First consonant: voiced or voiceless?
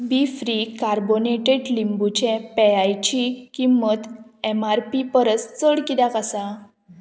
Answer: voiced